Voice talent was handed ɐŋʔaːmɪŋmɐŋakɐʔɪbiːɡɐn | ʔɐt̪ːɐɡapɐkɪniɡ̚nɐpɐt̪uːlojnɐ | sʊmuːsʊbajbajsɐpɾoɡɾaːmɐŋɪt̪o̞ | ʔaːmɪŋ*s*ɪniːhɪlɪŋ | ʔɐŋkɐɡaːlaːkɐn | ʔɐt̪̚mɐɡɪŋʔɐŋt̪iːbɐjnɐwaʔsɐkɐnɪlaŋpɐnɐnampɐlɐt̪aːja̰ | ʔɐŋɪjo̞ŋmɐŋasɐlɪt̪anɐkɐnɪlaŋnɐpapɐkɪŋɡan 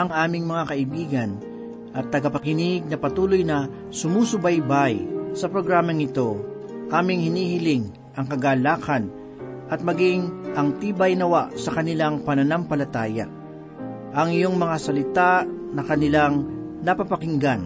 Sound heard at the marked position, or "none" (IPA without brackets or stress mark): h